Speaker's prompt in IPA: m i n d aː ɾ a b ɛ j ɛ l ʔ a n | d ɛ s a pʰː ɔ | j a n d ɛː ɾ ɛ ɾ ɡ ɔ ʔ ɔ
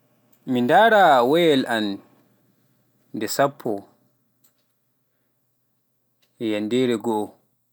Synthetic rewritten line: m i n d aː ɾ a w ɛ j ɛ l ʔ a n | d ɛ s a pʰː ɔ | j a n d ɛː ɾ ɛ ɡ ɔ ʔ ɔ